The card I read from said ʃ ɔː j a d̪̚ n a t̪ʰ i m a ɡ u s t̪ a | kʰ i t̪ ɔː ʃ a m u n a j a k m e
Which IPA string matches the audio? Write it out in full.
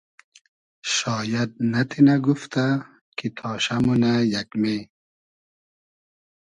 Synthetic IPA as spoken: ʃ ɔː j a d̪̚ n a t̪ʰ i n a ɡ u f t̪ a | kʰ i t̪ʰ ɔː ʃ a m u n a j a k m e